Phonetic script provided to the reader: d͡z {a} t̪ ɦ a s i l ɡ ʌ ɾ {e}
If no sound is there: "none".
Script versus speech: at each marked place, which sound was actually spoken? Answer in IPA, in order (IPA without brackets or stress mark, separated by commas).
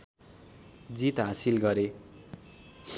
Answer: i, e